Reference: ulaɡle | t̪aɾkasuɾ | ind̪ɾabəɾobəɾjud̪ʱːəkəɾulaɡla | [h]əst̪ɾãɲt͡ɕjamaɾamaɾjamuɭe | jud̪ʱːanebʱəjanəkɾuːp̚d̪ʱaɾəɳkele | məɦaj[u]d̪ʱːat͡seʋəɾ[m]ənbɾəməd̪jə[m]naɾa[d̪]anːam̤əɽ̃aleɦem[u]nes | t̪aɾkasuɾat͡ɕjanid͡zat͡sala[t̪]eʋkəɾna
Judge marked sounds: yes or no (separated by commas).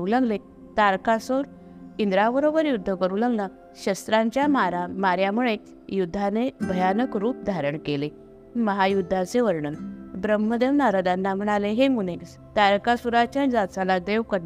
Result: no, yes, no, yes, yes, yes, no